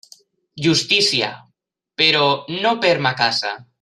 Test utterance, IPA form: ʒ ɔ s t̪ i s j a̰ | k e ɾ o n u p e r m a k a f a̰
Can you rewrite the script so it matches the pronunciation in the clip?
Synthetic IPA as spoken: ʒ u s t̪ i s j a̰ | p e ɾ o n o p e ɾ m a k a s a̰